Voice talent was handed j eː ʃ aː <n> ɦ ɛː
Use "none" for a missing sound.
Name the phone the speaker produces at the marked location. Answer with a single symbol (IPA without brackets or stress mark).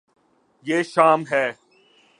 m